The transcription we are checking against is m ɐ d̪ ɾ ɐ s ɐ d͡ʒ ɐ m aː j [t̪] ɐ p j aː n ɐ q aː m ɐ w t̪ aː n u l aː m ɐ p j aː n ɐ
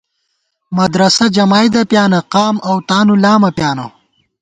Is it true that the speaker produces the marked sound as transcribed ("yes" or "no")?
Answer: no